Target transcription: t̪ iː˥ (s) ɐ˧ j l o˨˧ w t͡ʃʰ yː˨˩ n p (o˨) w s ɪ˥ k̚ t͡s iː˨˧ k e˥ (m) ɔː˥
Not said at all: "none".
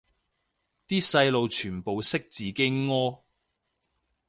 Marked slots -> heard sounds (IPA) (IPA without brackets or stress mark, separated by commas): s, o˨, ŋ